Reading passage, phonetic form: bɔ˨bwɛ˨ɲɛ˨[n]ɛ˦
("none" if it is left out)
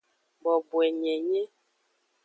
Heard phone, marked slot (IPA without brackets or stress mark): ɲ